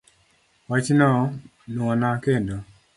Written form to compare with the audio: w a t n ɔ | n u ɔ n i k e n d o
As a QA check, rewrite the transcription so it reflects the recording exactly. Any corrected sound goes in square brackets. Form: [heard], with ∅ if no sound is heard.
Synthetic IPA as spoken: w a [t͡ʃ] n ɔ | n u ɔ n [a] k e n d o